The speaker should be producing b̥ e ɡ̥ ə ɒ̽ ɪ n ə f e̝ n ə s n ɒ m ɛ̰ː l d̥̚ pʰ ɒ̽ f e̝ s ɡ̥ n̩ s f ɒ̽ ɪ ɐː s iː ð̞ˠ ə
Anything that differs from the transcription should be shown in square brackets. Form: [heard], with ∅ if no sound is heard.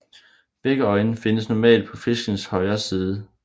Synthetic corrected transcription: b̥ e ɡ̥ ə ɒ̽ ɪ n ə f e̝ n ə s n ɒ m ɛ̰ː l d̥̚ pʰ ɒ̽ f e̝ s ɡ̥ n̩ s [h] ɒ̽ ɪ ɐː s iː ð̞ˠ ə